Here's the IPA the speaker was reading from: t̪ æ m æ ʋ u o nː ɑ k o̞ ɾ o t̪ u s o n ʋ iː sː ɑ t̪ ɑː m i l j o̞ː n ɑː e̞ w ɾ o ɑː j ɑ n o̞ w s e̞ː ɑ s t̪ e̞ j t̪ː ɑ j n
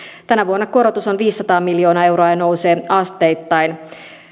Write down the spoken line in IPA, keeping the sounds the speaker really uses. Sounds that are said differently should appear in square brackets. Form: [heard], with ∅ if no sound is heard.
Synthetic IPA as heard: t̪ æ [n] æ ʋ u o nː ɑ k o̞ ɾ o t̪ u s o n ʋ iː sː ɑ t̪ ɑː m i l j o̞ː n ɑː e̞ w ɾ o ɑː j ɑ n o̞ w s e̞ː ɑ s t̪ e̞ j t̪ː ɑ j n